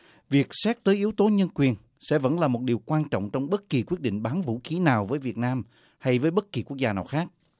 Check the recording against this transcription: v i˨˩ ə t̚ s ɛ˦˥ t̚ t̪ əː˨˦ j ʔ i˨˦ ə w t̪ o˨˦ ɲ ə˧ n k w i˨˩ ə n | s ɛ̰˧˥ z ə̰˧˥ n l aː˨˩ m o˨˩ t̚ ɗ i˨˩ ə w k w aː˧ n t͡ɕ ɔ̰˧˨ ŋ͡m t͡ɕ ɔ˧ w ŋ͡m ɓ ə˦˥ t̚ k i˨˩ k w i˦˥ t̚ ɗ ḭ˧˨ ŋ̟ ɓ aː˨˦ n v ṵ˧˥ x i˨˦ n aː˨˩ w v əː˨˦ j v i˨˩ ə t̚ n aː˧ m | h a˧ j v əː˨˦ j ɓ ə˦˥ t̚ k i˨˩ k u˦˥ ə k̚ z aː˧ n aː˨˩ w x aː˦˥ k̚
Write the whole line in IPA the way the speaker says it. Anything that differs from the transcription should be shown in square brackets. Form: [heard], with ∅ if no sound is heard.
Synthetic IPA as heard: v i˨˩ ə [k̚] s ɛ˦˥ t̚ t̪ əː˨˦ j ʔ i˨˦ ə w t̪ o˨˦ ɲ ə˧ n k w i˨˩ ə n | s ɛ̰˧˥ [v] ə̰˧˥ n l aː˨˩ m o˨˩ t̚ ɗ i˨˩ ə w k w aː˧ n t͡ɕ ɔ̰˧˨ ŋ͡m t͡ɕ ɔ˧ w ŋ͡m ɓ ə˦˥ t̚ k i˨˩ k w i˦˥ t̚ ɗ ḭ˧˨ ŋ̟ ɓ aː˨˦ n v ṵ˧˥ x i˨˦ n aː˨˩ w v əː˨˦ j v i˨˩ ə t̚ n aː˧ m | h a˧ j v əː˨˦ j ɓ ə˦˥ t̚ k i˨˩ k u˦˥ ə k̚ z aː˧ n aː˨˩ w x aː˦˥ k̚